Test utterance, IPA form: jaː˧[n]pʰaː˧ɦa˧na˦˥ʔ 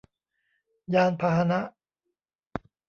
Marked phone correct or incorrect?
correct